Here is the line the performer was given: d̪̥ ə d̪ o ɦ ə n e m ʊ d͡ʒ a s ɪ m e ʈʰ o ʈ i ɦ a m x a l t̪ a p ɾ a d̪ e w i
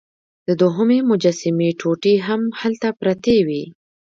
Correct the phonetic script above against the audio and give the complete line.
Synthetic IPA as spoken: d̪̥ ə d̪ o ɦ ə m e m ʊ d͡ʒ a s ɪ m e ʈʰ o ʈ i ɦ a m h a l t̪ a p ɾ a t̪ e w i